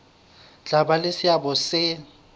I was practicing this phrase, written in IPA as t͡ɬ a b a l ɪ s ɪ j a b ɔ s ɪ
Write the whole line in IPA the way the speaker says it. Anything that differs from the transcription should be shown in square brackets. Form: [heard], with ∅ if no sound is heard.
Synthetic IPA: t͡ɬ a b a l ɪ s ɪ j a b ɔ s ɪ